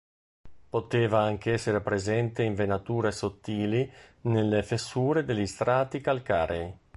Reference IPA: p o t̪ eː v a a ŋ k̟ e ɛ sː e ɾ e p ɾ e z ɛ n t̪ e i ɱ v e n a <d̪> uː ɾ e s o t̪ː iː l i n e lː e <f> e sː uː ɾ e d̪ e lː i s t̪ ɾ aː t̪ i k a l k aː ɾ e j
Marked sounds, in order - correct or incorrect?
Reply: incorrect: t̪, correct

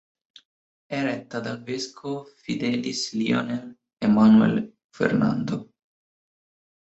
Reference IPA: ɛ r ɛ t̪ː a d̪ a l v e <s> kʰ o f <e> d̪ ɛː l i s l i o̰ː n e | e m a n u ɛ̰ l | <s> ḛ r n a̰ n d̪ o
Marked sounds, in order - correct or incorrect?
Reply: correct, incorrect: i, incorrect: f

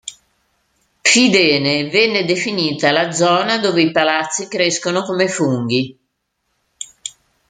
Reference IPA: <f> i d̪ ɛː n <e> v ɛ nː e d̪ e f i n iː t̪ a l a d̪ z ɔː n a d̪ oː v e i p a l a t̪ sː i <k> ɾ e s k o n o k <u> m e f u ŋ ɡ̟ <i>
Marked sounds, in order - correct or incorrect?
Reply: correct, correct, correct, incorrect: o, correct

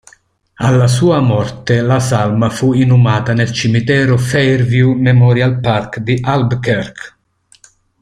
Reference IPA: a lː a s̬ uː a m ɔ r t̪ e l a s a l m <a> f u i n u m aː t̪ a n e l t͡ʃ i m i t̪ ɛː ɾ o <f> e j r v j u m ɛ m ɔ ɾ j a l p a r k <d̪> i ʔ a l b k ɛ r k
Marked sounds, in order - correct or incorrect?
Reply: correct, correct, correct

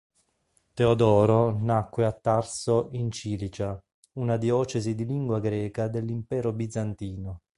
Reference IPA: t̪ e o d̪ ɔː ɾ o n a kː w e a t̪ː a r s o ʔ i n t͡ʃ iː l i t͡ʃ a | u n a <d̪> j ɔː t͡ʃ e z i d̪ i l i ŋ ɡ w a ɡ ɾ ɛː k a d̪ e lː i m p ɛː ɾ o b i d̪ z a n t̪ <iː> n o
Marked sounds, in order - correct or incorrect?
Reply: correct, correct

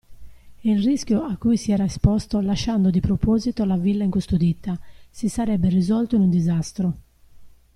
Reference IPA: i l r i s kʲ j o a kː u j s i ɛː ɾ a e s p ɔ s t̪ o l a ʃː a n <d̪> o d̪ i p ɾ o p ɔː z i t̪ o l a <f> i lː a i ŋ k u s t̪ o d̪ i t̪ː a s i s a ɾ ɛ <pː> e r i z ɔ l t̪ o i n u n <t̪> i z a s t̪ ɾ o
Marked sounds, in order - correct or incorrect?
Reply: correct, incorrect: v, incorrect: bː, incorrect: d̪

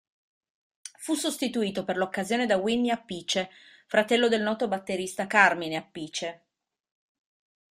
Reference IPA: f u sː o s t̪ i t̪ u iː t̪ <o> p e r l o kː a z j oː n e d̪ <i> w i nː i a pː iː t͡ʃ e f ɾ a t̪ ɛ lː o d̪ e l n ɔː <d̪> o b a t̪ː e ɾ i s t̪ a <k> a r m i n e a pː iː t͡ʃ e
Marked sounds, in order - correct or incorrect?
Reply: correct, incorrect: a, incorrect: t̪, correct

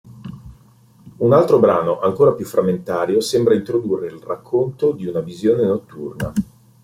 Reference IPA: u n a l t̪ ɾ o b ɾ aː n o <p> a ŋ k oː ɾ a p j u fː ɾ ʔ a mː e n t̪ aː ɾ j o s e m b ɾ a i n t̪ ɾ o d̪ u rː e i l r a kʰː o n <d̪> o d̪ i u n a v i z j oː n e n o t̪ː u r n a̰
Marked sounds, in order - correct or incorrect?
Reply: incorrect: ʔ, incorrect: t̪

